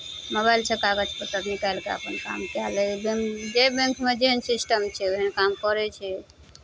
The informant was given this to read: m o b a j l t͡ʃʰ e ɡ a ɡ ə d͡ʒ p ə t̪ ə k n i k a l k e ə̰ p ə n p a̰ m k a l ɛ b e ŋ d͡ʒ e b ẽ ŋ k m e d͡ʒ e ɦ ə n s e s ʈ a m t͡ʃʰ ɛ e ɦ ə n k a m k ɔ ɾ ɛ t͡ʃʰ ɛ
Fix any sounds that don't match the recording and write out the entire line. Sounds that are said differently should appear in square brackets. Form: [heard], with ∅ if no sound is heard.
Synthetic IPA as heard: m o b a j l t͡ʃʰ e [k] a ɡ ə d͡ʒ p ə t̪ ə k n i k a l k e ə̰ p ə n [k] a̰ m k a l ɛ b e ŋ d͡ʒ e b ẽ ŋ k m e d͡ʒ e ɦ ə n s [i] s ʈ [ə] m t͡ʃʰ ɛ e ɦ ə n k a m k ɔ ɾ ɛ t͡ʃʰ ɛ